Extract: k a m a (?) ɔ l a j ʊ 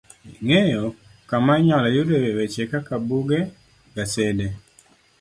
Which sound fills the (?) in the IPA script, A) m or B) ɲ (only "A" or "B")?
B